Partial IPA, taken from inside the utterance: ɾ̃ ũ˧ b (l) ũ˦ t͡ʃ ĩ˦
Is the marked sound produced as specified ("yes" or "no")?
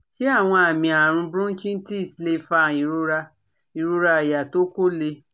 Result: no